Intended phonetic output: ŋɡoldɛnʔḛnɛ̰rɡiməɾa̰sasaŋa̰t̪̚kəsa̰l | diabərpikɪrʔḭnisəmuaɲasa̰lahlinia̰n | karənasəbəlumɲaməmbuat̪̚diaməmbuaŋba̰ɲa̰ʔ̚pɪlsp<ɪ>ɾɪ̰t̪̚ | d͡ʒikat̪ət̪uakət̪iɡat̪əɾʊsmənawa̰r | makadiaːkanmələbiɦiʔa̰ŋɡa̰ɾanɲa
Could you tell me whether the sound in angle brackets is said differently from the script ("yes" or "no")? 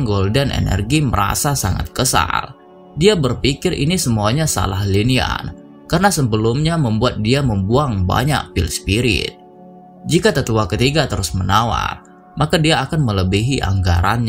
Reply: yes